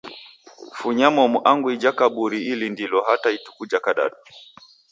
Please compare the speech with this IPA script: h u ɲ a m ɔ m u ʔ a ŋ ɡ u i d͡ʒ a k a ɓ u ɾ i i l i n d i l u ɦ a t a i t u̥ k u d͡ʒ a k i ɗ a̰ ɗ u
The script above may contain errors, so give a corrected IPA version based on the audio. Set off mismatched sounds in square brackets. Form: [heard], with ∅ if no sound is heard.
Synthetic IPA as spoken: [f] u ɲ a m ɔ m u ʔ a ŋ ɡ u i d͡ʒ a k a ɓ u ɾ i i l i n d i l [ɔ] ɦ a t a i t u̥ k u d͡ʒ a k [a] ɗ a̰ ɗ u